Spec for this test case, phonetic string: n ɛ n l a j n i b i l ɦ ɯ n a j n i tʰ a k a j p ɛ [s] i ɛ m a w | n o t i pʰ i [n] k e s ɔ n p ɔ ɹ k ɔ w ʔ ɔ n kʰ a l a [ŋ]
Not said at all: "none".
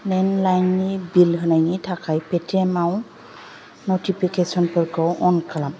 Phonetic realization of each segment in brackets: t, none, m

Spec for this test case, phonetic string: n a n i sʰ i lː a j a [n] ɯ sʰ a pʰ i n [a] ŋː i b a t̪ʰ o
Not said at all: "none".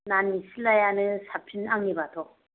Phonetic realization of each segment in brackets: n, a

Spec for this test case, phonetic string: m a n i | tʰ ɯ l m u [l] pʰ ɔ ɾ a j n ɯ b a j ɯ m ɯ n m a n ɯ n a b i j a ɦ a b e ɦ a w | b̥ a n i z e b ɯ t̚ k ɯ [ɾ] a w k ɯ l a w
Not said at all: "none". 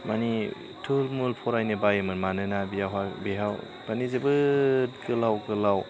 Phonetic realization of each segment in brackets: l, l

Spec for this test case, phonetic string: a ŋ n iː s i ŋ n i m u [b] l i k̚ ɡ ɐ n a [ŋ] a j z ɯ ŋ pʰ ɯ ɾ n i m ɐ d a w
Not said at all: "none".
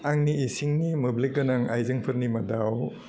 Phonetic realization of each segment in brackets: b, ŋ

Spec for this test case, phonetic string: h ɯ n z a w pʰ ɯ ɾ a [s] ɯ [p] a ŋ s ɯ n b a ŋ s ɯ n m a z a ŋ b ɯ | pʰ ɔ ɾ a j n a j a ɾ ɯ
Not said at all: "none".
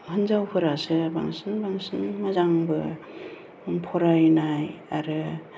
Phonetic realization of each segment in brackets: s, b

